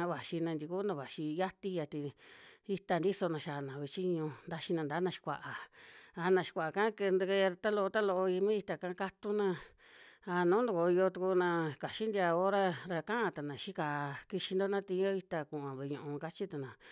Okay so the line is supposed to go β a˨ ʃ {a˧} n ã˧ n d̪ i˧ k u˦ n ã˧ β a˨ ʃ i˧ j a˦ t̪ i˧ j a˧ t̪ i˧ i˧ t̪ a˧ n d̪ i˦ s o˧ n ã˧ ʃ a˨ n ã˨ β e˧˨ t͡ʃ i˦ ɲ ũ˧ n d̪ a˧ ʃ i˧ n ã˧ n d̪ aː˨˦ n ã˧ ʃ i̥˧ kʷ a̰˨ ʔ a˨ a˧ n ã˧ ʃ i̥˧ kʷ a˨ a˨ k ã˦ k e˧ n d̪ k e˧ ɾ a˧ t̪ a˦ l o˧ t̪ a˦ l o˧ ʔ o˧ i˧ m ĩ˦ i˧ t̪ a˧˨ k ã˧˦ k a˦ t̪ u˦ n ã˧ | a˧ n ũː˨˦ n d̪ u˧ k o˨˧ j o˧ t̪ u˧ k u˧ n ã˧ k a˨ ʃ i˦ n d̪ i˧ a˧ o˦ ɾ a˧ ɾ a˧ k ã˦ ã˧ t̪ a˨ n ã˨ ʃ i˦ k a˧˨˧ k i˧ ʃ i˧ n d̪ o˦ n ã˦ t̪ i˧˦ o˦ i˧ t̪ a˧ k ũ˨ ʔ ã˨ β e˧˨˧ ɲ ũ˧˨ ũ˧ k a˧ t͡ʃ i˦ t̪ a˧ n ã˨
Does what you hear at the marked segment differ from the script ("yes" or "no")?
yes